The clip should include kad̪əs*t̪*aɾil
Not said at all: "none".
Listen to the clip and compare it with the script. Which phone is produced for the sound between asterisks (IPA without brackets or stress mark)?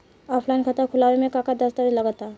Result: t̪